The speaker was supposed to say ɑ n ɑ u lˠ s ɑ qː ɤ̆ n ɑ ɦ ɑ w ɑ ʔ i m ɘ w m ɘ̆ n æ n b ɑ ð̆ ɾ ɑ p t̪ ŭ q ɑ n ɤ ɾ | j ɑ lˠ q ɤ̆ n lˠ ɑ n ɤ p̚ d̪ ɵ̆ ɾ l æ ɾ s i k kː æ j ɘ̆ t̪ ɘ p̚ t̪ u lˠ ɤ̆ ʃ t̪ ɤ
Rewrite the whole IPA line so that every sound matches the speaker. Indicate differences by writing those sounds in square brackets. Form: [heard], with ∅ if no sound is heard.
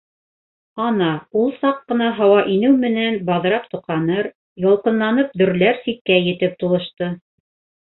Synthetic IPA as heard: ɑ n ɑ u lˠ s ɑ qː ɤ̆ n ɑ ɦ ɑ w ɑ ʔ i [n] ɘ w m ɘ̆ n æ n b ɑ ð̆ ɾ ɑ p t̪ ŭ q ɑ n ɤ ɾ | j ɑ lˠ q ɤ̆ n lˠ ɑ n ɤ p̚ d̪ ɵ̆ ɾ l æ ɾ s i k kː æ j ɘ̆ t̪ ɘ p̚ t̪ u lˠ ɤ̆ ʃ t̪ ɤ